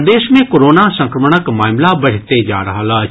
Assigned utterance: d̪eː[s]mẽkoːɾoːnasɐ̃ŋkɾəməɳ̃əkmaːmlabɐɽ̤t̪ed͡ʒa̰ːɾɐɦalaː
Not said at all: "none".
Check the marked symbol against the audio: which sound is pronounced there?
ʃ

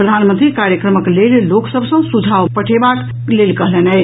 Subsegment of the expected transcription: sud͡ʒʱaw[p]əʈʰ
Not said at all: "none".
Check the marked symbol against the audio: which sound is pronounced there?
p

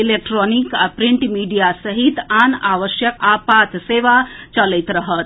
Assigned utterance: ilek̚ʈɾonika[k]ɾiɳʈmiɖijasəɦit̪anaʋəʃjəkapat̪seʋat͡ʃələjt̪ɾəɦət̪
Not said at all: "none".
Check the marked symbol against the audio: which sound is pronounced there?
p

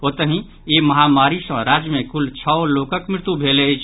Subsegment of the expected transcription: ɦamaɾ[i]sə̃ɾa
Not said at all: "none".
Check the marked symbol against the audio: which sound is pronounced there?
i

